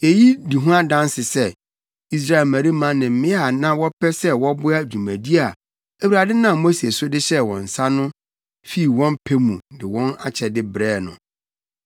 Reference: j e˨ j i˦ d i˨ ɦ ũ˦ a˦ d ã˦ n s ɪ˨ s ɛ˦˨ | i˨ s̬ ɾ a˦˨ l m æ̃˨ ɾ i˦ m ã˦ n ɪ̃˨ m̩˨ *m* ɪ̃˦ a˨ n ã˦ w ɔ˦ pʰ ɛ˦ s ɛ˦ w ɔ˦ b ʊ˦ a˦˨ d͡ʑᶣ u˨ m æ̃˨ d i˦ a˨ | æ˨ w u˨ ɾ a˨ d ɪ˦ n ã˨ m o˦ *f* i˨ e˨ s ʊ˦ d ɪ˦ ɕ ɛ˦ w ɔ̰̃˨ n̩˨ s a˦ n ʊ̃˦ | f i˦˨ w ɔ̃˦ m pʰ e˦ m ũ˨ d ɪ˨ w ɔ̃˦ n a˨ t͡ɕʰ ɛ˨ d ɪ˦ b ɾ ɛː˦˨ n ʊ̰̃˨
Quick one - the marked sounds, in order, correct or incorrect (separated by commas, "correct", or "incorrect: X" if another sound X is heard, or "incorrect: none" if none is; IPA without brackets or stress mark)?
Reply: correct, incorrect: s